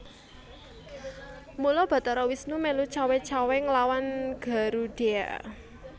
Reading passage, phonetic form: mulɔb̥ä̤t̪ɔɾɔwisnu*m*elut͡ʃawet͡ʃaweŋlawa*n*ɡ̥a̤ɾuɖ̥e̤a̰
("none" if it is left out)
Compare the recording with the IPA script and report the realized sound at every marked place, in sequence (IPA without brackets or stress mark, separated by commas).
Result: m, n